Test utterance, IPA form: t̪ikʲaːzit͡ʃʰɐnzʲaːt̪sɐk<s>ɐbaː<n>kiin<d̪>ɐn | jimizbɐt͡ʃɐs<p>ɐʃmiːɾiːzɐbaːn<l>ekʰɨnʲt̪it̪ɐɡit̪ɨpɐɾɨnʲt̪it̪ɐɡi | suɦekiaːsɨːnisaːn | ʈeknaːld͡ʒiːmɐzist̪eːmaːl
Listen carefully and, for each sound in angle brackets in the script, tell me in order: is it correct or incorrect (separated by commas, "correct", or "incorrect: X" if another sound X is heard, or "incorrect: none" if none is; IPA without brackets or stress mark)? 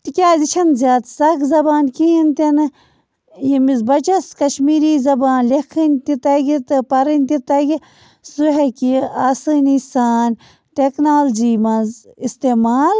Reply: incorrect: z, correct, incorrect: t̪, incorrect: k, correct